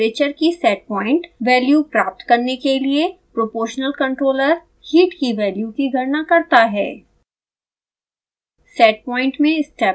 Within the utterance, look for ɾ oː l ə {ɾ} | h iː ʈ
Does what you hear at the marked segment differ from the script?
no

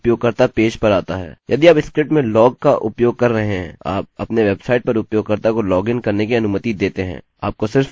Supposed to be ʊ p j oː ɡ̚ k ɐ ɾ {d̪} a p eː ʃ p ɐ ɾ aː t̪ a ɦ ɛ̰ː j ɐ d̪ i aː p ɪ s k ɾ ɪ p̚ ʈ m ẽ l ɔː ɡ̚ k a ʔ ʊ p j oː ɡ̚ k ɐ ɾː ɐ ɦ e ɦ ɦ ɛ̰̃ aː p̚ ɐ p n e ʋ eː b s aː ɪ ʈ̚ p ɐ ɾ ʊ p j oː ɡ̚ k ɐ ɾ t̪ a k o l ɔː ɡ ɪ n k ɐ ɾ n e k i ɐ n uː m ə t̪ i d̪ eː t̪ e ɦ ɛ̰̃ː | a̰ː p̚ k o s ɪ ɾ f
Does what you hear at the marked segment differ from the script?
yes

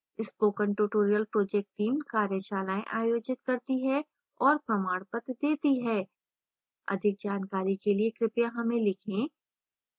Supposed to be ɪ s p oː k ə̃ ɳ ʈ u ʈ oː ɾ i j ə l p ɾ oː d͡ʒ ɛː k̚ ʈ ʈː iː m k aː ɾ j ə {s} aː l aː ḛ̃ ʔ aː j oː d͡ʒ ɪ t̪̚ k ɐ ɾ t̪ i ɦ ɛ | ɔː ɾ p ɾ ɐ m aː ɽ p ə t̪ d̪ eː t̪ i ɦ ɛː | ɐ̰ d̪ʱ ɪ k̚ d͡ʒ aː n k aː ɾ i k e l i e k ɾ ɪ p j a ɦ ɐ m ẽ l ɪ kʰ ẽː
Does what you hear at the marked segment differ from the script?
yes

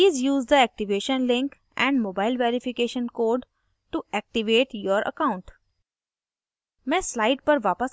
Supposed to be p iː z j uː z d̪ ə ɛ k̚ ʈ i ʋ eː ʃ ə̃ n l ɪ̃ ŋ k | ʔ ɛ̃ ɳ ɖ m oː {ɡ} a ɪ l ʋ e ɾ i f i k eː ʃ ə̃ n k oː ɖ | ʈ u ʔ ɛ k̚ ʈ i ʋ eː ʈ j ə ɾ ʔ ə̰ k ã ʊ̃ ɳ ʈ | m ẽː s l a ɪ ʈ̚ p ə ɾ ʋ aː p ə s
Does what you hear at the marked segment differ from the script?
yes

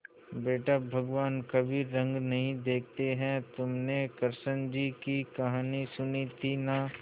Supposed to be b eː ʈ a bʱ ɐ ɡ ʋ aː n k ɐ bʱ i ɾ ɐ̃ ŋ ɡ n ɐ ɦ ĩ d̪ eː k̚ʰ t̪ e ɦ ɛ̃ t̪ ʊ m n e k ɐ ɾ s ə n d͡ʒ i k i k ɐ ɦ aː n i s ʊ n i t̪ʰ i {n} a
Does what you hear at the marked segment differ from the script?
no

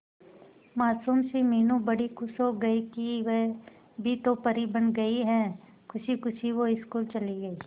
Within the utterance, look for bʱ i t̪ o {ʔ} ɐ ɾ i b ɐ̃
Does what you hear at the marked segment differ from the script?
yes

